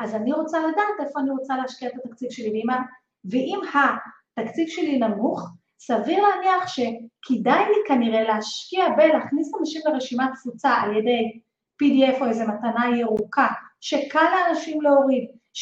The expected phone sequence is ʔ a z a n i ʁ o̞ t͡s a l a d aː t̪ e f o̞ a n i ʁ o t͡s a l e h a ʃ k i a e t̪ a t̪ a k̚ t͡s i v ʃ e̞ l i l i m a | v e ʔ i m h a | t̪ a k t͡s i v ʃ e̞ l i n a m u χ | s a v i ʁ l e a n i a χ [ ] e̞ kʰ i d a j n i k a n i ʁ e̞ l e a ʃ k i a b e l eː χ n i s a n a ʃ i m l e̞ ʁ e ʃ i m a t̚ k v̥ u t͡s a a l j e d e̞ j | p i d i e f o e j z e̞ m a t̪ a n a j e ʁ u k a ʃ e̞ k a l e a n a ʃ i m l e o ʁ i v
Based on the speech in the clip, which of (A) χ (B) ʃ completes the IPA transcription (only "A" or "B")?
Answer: B